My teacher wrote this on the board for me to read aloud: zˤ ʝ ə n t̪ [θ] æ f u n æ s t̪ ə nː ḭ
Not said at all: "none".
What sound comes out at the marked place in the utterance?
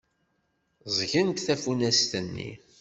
θ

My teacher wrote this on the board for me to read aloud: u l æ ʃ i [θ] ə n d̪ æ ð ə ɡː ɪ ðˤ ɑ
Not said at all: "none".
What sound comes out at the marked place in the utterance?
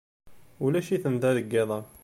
θ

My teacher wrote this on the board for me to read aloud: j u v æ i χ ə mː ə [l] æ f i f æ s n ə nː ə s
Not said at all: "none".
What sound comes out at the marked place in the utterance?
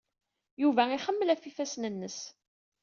l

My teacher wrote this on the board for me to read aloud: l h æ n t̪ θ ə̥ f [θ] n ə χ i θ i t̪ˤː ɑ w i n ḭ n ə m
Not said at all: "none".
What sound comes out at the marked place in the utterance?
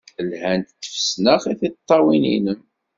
s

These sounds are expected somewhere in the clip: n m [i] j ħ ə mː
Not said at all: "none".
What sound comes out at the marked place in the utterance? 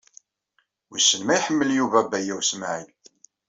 æ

